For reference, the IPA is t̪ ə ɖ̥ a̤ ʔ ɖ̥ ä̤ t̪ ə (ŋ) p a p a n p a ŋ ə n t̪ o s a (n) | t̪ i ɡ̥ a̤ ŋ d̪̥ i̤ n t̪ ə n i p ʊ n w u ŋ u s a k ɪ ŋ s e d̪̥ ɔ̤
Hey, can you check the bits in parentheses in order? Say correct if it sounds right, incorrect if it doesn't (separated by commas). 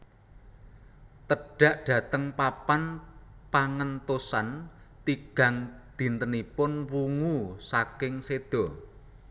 correct, correct